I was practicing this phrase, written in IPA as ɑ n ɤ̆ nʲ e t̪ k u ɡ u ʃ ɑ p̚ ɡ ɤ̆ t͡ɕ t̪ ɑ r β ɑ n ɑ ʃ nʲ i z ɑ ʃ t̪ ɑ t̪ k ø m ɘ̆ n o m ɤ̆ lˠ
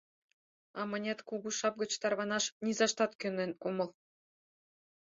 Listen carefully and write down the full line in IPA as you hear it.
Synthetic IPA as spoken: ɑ m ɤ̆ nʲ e t̪ k u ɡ u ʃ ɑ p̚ ɡ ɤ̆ t͡ɕ t̪ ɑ r β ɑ n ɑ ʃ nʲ i z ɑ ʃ t̪ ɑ t̪ k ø n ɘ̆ n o m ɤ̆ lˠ